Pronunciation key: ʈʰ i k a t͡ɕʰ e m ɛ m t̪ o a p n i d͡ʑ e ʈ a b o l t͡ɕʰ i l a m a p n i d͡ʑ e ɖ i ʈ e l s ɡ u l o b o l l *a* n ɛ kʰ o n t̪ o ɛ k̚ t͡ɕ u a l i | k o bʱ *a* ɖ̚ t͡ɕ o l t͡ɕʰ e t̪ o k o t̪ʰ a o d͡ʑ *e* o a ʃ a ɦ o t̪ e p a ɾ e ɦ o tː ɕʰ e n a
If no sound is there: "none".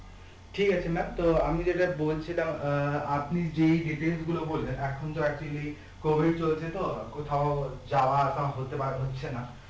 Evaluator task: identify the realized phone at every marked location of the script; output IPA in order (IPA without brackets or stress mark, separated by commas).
e, i, a